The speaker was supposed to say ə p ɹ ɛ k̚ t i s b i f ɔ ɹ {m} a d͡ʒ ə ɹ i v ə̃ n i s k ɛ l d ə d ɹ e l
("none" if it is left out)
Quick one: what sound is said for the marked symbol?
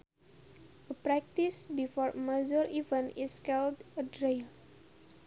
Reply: m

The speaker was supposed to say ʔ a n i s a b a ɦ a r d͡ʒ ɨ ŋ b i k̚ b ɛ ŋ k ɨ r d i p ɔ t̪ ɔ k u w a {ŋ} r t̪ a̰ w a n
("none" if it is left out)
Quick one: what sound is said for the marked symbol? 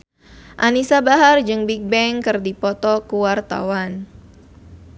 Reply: none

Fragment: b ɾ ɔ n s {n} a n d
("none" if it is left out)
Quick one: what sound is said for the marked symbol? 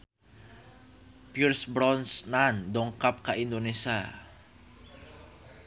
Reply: n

